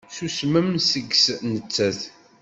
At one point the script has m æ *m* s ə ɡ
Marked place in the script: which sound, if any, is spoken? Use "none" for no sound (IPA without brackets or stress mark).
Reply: m